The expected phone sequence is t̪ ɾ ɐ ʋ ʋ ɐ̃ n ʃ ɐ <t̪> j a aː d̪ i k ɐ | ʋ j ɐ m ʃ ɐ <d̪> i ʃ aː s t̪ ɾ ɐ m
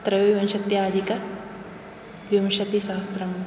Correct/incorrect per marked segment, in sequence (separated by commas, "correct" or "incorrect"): correct, incorrect